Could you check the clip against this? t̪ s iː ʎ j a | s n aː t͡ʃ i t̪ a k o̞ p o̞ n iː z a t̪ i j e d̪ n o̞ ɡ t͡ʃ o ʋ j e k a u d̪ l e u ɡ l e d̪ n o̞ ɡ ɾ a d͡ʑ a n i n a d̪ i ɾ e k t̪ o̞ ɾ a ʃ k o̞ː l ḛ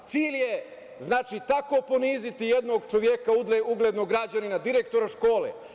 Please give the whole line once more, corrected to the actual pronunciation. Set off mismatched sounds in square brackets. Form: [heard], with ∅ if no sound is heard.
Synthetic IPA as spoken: t̪ s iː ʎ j [e] | [z] n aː t͡ʃ i t̪ a k o̞ p o̞ n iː z [i] t̪ i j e d̪ n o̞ ɡ t͡ʃ o ʋ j e k a u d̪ l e u ɡ l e d̪ n o̞ ɡ ɾ a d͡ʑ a n i n a d̪ i ɾ e k t̪ o̞ ɾ a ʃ k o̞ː l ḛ